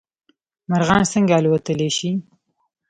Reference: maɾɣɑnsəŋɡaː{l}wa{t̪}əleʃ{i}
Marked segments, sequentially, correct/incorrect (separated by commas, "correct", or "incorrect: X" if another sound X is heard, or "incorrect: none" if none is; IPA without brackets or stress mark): correct, correct, correct